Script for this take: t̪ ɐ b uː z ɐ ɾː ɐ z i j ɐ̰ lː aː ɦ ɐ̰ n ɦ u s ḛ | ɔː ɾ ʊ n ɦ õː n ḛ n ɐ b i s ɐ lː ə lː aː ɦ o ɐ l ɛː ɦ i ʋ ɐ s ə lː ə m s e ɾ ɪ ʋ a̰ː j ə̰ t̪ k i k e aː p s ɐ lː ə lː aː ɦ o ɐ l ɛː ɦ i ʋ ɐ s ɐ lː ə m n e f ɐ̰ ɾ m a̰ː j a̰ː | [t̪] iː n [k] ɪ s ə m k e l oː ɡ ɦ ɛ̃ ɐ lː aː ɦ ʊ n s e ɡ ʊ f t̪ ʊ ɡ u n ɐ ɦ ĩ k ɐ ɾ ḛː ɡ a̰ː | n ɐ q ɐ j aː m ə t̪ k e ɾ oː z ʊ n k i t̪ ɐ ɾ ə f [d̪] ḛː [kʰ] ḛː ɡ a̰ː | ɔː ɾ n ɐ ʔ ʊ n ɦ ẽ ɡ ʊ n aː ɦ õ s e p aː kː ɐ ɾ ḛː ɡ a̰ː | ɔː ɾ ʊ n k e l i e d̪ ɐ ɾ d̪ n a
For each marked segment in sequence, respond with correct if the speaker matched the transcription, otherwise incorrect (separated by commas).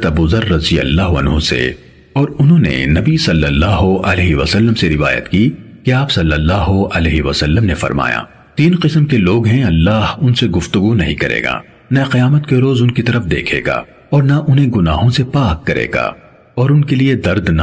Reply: correct, incorrect, correct, correct